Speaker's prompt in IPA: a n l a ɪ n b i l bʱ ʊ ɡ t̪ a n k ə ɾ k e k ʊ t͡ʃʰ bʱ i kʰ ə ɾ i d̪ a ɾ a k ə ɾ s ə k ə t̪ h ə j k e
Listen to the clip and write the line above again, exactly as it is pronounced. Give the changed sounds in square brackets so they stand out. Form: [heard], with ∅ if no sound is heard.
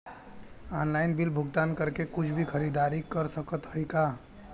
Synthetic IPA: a n l a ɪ n b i l bʱ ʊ ɡ t̪ a n k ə ɾ k e k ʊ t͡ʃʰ bʱ i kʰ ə ɾ i d̪ a ɾ [i] k ə ɾ s ə k ə t̪ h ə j k [a]